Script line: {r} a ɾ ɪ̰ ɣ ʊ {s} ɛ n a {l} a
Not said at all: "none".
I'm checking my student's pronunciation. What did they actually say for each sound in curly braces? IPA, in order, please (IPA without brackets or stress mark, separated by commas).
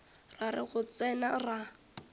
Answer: r, t͡s, r